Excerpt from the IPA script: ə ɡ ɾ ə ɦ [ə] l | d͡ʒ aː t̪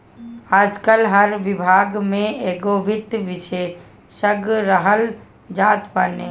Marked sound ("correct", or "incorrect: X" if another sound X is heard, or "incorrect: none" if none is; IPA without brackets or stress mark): correct